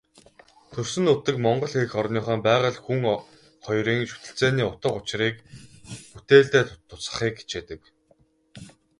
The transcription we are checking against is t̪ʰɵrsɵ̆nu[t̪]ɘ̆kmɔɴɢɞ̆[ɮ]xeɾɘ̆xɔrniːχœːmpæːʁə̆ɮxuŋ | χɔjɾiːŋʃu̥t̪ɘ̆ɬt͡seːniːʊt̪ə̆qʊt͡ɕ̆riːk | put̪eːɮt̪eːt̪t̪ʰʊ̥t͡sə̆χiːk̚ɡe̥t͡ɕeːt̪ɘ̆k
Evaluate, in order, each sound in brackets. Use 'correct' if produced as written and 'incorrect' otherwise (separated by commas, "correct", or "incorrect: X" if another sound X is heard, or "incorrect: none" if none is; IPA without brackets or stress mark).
correct, correct